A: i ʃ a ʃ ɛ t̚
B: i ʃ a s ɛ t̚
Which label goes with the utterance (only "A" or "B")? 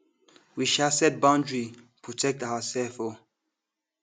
B